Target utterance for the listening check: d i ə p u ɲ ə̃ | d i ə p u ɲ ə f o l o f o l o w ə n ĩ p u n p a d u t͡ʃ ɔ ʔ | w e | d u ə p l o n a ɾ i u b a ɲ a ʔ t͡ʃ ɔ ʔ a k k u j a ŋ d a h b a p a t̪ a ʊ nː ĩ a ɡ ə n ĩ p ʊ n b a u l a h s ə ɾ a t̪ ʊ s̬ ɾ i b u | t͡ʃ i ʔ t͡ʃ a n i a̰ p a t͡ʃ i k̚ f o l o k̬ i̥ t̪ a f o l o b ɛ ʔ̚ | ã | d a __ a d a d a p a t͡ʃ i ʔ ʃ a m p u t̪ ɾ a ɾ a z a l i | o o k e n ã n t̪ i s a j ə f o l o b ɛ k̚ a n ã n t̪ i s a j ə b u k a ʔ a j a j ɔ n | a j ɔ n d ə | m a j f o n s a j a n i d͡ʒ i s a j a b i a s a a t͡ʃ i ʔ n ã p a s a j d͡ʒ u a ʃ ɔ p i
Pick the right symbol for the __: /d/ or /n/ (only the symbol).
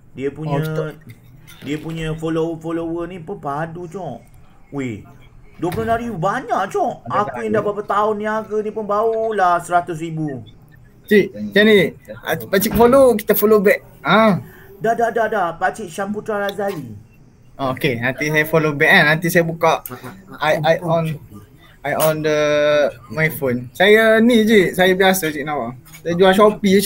d